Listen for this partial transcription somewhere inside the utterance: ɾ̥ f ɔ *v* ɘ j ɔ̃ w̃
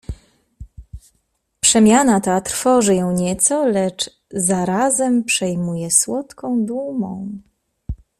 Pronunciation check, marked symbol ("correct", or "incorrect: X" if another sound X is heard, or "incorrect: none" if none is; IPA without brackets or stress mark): incorrect: ʐ